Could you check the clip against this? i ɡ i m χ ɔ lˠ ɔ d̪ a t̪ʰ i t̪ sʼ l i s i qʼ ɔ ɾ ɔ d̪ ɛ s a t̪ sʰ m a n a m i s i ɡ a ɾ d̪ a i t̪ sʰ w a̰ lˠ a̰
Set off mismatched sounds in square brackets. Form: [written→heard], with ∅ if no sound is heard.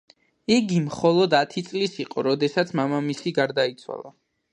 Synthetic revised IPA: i ɡ i m χ ɔ lˠ ɔ d̪ a t̪ʰ i t̪ sʼ l i s i qʼ ɔ ɾ ɔ d̪ ɛ s a t̪ sʰ m a [n→m] a m i s i ɡ a ɾ d̪ a i t̪ sʰ w a̰ lˠ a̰